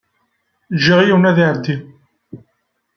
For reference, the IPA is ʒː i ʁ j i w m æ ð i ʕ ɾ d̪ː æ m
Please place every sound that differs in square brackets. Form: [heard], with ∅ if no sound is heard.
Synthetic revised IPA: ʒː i ʁ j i w [n] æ ð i ʕ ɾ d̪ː [i] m